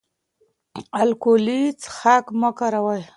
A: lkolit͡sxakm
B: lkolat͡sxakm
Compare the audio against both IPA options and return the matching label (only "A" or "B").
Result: A